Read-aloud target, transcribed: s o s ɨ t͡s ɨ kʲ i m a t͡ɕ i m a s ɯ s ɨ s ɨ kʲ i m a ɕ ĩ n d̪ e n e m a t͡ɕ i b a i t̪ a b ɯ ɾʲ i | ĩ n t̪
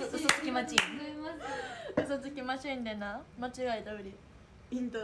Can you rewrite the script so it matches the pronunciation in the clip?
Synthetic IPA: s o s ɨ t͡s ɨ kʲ i m a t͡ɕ i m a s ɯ s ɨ t͡s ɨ kʲ i m a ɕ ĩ n d̪ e n a m a t͡ɕ i ɡ a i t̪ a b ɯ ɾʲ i | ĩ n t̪